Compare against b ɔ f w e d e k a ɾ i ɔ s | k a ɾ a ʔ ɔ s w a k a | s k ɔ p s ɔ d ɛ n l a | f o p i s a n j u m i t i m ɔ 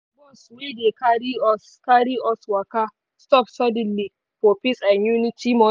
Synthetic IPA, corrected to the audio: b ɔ s w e d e k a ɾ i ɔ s | k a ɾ i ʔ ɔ s w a k a | s t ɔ p s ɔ d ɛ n l i | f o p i s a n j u n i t i m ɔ